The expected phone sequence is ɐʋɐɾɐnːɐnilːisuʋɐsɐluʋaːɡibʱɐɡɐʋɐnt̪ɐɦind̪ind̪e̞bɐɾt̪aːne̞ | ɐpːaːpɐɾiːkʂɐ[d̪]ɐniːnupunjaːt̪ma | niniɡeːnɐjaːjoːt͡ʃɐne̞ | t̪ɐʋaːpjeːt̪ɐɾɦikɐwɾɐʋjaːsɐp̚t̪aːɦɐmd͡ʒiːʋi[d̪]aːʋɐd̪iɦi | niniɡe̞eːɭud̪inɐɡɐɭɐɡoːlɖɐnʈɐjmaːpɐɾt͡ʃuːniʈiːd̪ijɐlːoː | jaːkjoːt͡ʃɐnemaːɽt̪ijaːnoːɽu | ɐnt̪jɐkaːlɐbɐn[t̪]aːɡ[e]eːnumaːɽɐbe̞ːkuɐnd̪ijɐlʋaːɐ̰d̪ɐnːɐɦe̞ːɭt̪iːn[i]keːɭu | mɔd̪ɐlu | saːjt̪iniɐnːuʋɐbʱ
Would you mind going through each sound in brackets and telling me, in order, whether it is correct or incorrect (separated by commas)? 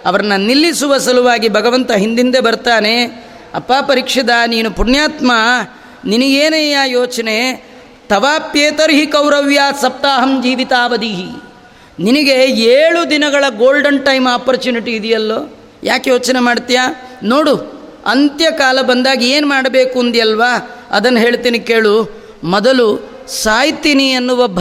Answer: correct, incorrect, incorrect, incorrect, correct